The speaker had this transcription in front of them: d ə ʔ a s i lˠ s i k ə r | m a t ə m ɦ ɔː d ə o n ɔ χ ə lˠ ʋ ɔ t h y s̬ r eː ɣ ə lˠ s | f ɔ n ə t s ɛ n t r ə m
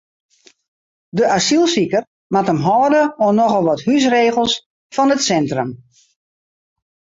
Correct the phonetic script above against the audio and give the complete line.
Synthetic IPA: d ə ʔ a s i lˠ s i k ə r | m a t ə m ɦ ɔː d ə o n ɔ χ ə lˠ ʋ ɔ t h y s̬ r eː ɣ ə lˠ s | f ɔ n ə t s ɛ n t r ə m

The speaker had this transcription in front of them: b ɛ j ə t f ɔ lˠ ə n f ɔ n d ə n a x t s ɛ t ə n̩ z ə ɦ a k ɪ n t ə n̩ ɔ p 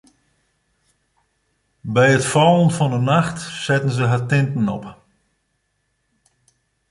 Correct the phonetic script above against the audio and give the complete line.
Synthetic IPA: b ɛ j ə t f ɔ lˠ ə n f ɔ n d ə n a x t s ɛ t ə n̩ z ə ɦ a t ɪ n t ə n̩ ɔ p

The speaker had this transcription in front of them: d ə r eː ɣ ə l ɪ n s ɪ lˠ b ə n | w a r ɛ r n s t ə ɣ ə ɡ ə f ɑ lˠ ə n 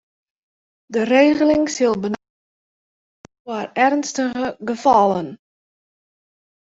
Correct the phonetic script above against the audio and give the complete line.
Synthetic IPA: d ə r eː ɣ ə l ɪ ŋ s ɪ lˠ b ə n | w a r ɛ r n s t ə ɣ ə ɡ ə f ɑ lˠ ə n

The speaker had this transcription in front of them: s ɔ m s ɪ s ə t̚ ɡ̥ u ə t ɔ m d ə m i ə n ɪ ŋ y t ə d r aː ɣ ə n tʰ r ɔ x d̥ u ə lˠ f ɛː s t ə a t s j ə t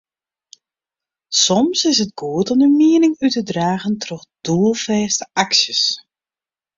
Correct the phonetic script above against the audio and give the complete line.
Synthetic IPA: s ɔ m s ɪ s ə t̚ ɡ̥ u ə t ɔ m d ə m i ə n ɪ ŋ y t ə d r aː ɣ ə n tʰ r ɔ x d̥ u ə lˠ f ɛː s t ə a k s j ə s

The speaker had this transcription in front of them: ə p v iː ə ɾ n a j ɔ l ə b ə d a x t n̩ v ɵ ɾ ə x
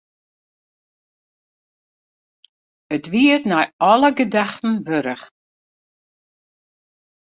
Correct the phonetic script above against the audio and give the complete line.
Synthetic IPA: ə t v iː ə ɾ n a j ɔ l ə ɡ ə d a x t n̩ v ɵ ɾ ə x

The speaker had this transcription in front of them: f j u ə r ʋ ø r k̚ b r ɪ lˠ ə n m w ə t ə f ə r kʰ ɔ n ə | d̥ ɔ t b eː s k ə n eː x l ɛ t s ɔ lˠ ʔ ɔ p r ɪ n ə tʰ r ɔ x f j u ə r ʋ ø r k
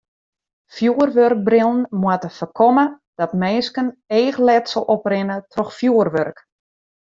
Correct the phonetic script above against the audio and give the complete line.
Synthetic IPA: f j u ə r ʋ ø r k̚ b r ɪ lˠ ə n m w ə t ə f ə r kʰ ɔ m ə | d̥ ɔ t m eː s k ə n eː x l ɛ t s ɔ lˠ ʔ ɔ p r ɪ n ə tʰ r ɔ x f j u ə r ʋ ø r k

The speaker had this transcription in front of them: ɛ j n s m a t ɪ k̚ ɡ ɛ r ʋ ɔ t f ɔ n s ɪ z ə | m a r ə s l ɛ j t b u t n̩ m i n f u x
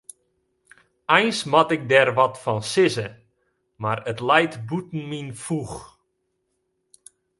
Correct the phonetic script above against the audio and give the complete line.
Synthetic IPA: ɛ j n s m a t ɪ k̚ d ɛ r ʋ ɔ t f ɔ n s ɪ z ə | m a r ə t l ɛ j t b u t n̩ m i n f u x

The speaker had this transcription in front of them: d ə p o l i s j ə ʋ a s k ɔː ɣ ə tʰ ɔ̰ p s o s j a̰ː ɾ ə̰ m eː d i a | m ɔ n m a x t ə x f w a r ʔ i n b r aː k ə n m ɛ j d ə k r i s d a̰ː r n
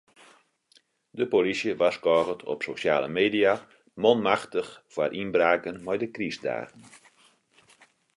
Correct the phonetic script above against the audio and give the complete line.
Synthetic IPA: d ə p o l i s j ə ʋ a s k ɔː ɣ ə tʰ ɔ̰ p s o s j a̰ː l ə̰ m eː d i a | m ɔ n m a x t ə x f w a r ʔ i n b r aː k ə n m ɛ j d ə k r i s d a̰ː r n

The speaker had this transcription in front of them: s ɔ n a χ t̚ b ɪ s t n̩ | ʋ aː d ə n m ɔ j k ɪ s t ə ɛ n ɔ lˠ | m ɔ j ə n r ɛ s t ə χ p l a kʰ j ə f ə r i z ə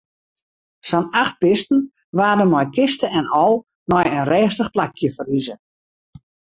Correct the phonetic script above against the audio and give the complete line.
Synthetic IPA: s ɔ n a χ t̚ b ɪ s t n̩ | ʋ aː d ə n m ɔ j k ɪ s t ə ɛ n ɔ lˠ | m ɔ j ə n r ɛː s t ə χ p l a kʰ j ə f ə r i z ə

